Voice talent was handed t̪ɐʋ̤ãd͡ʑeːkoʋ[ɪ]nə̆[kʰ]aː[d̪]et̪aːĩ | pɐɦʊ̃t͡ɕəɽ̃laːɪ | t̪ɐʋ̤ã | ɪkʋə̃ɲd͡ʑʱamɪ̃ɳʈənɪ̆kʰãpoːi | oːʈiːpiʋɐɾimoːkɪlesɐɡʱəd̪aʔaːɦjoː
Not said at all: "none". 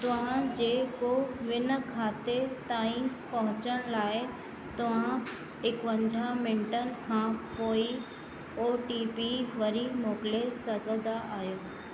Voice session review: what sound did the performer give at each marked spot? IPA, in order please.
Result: ɪ, kʰ, t̪

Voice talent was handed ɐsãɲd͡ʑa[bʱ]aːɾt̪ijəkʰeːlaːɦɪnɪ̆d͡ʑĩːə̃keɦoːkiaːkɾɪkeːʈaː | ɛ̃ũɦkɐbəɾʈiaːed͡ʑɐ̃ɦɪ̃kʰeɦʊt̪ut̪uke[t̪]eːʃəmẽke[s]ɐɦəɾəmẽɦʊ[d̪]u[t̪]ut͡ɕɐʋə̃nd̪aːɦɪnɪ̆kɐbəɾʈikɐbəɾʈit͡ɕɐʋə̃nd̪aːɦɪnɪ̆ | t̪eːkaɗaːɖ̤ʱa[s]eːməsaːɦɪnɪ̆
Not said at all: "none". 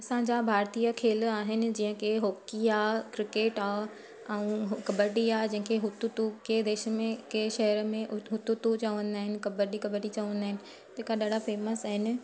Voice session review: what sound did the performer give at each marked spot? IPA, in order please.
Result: bʱ, d̪, ʃ, t̪, t̪, f

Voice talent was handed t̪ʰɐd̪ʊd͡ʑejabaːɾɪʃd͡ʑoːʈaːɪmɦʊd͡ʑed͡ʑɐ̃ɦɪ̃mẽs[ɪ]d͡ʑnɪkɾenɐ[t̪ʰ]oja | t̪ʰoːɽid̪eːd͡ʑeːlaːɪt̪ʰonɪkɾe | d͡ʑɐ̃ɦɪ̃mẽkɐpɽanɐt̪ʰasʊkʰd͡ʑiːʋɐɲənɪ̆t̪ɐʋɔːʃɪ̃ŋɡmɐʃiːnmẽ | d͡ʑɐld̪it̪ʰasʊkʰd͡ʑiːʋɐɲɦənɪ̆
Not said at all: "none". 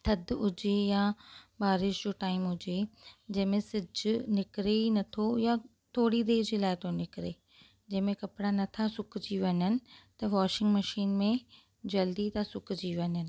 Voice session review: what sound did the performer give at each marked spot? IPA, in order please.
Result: ɪ, t̪ʰ

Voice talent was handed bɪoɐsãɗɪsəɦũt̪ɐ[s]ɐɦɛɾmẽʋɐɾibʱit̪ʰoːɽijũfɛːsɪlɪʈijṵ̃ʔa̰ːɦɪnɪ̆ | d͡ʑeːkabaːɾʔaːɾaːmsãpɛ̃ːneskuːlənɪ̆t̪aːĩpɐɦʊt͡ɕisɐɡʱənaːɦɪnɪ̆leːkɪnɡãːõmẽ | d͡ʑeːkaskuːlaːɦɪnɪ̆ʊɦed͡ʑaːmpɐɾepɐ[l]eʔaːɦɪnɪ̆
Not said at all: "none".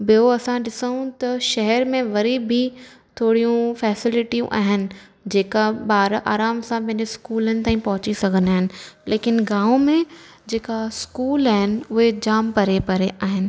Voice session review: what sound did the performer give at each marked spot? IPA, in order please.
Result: ʃ, ɾ

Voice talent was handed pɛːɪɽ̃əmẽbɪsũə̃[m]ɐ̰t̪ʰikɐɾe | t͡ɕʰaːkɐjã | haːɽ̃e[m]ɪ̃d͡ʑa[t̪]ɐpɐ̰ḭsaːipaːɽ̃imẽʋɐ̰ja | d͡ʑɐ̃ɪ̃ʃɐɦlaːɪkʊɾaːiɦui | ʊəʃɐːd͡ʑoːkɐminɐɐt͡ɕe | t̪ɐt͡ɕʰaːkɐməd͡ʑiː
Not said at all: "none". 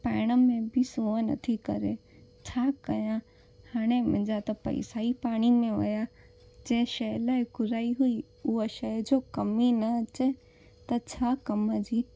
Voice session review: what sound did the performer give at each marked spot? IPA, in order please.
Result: n, m, t̪

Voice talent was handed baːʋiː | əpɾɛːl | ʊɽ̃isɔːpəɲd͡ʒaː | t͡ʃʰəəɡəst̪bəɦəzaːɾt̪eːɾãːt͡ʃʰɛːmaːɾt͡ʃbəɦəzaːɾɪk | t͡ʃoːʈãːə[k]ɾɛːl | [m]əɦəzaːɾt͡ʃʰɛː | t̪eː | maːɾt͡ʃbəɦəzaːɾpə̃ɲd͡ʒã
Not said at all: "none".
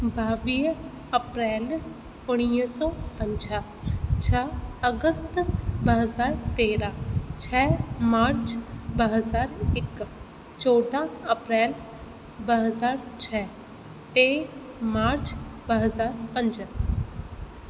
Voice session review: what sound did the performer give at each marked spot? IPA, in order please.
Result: p, b

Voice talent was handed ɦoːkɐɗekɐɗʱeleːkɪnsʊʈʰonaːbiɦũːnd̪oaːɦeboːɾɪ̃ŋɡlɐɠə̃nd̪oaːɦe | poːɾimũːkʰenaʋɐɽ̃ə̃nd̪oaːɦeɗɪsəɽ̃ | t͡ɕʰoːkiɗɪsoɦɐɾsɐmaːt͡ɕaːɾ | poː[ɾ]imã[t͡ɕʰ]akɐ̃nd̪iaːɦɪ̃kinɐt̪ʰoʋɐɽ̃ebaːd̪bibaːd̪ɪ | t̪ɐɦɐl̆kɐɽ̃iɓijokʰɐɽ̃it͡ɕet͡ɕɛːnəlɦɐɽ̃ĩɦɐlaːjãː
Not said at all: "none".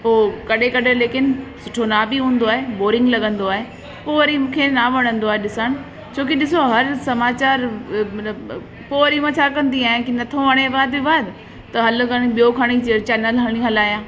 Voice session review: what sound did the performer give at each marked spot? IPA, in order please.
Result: ɾ, t͡ɕʰ

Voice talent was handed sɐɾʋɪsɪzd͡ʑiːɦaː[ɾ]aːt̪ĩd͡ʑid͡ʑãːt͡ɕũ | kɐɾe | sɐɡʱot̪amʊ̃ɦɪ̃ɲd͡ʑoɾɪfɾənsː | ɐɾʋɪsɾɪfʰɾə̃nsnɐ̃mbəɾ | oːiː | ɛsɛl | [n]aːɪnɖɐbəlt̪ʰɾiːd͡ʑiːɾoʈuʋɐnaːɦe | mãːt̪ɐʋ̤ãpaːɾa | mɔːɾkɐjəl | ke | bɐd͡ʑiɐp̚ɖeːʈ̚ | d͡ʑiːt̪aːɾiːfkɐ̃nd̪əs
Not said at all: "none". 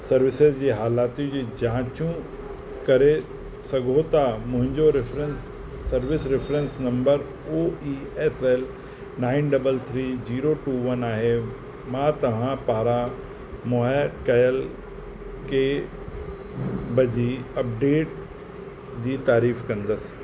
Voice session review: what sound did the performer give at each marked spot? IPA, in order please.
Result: l, n

